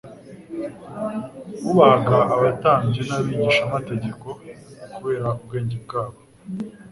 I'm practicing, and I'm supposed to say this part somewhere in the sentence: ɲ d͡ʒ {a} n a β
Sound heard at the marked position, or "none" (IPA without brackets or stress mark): e